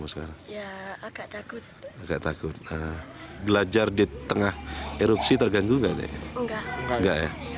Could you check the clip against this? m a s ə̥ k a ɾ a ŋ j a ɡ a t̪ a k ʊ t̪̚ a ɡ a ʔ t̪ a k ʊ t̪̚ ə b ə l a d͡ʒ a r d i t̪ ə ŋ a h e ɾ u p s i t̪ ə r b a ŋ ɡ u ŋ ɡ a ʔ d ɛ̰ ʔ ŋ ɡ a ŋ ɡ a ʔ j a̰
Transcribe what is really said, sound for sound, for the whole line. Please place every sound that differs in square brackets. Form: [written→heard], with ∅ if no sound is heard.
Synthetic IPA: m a s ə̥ k a ɾ a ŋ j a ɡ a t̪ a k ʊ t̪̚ a ɡ a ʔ t̪ a k ʊ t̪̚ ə b ə l a d͡ʒ a r d i t̪ ə ŋ a h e ɾ u p s i t̪ ə r [b→ɡ] a ŋ ɡ u ŋ ɡ a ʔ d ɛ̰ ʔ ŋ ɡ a ŋ ɡ a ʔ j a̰